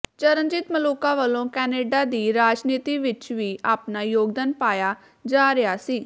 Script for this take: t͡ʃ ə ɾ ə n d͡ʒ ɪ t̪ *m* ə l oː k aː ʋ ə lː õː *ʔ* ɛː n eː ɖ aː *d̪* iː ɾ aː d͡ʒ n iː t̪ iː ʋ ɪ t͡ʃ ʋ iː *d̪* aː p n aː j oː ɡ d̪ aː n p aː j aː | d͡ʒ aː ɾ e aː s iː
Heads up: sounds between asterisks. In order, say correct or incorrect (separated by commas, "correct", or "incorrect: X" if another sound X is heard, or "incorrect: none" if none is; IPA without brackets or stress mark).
correct, incorrect: k, correct, incorrect: none